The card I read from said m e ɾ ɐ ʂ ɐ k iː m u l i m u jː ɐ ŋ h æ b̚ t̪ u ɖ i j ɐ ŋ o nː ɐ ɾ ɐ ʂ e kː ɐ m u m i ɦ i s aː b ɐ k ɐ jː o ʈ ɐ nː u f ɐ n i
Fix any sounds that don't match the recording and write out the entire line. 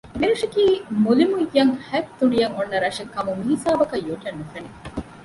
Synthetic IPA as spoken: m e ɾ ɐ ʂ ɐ k iː m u l i m u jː ɐ ŋ h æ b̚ t̪ u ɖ i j ɐ ŋ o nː ɐ ɾ ɐ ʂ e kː ɐ m u m i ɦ i s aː b ɐ k ɐ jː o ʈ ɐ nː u f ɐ n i